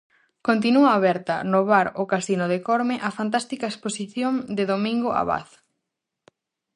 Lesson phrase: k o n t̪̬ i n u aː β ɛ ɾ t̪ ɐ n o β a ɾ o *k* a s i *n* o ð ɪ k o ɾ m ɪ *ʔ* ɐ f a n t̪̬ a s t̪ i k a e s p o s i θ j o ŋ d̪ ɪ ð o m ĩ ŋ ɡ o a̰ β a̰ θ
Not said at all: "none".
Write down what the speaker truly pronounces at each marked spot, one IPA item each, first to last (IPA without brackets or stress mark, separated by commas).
k, n, ʔ